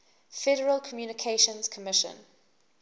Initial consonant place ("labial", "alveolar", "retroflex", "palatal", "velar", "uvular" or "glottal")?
labial